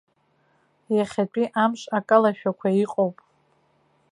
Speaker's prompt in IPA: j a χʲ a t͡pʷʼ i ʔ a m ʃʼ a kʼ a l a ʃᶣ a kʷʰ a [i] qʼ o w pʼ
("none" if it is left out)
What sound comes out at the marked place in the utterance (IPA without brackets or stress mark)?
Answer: i